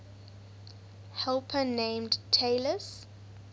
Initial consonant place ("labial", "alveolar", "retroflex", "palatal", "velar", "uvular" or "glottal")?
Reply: glottal